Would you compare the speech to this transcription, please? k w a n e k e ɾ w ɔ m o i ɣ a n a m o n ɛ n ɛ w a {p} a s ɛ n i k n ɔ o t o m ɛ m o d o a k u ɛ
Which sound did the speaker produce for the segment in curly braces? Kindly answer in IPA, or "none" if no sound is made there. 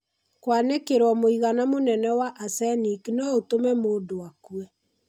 ʔ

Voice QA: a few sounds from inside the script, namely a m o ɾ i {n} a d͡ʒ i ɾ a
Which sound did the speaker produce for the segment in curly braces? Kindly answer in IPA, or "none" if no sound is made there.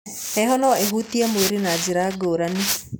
n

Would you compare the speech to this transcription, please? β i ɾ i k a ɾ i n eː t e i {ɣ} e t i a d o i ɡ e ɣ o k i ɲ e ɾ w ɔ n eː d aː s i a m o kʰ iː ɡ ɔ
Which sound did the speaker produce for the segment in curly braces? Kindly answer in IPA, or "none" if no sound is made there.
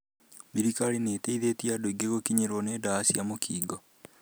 ð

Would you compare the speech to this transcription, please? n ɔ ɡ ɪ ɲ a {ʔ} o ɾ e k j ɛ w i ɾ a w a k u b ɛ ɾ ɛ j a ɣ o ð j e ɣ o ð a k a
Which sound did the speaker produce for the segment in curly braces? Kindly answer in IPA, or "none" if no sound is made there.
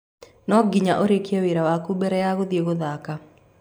ʔ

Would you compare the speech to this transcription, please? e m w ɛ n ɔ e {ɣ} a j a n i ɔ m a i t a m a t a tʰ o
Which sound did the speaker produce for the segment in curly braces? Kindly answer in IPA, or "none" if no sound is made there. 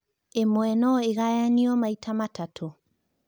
ɣ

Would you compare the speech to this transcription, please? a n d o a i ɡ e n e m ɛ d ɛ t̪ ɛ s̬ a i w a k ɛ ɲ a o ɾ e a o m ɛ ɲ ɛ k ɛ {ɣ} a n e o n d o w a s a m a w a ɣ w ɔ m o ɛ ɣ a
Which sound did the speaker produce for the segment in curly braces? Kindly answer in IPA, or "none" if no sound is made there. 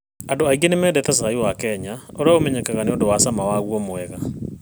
ɣ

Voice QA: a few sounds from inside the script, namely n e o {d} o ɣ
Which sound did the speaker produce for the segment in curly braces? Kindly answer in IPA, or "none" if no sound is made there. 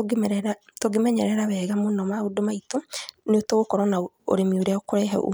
t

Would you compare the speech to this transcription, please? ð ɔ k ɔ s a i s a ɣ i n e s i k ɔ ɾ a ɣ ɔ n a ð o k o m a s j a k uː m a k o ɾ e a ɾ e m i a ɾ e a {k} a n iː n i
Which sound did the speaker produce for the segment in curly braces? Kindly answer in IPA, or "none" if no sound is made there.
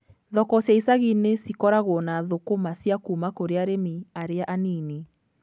ʔ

